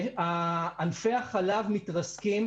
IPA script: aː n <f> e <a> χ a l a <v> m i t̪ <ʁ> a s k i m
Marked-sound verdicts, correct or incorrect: correct, correct, correct, correct

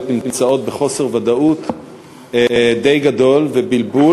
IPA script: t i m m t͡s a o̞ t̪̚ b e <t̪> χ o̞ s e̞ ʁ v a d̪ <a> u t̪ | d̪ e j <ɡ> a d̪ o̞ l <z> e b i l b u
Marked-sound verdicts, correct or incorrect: incorrect: none, correct, correct, incorrect: v

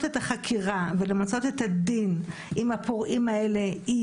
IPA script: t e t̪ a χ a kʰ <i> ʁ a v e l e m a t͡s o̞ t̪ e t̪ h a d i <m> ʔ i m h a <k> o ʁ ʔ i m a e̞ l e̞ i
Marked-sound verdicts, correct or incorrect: correct, incorrect: n, incorrect: p

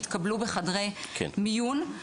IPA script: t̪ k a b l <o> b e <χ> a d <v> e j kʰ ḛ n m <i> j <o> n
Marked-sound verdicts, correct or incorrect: incorrect: u, correct, incorrect: ʁ, correct, incorrect: u

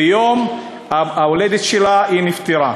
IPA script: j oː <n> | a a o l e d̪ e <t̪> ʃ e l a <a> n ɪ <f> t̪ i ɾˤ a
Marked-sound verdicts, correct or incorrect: incorrect: m, correct, incorrect: i, correct

